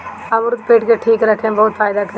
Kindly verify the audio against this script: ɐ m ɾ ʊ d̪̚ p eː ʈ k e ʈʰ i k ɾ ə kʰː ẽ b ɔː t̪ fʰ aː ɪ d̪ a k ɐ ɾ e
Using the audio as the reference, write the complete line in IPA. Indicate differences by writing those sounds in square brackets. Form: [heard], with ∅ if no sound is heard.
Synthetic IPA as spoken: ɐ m ɾ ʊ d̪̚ p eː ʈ k e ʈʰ [iː] k ɾ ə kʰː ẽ b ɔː t̪ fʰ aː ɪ d̪ a k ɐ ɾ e